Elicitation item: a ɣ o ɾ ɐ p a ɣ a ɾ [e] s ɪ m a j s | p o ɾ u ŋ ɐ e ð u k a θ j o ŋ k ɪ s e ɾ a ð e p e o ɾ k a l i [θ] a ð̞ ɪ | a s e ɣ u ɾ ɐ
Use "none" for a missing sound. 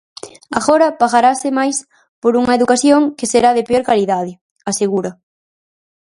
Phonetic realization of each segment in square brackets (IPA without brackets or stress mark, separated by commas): a, ð